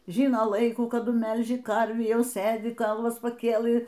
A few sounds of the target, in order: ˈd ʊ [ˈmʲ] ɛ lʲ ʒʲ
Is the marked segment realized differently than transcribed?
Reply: no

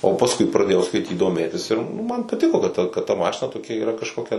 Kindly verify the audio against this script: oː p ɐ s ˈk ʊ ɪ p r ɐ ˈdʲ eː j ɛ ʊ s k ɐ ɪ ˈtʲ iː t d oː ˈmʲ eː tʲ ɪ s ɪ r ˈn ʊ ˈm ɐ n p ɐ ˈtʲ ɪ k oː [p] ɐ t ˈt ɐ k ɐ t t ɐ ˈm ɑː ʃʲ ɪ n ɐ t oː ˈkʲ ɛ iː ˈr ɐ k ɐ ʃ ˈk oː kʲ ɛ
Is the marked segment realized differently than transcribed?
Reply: yes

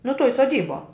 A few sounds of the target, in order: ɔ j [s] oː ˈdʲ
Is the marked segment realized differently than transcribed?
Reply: no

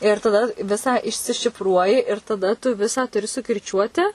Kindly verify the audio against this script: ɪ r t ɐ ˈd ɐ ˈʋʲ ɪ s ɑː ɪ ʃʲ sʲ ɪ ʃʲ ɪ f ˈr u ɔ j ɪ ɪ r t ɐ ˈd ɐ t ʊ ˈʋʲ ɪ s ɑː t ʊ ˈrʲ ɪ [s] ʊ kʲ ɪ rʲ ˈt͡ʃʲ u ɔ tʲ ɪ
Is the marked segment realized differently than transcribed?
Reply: no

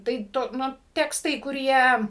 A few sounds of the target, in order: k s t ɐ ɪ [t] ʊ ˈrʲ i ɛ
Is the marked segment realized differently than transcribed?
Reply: yes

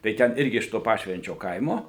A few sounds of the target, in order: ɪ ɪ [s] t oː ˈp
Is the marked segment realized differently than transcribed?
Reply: yes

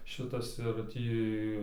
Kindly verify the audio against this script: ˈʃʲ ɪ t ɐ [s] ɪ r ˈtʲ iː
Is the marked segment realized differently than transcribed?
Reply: no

